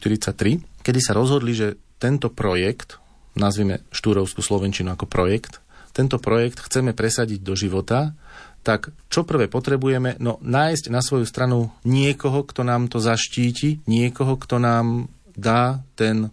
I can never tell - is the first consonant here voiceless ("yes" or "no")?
yes